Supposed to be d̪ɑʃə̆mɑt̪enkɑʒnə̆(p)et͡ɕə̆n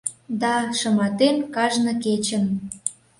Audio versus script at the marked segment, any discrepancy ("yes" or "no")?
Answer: yes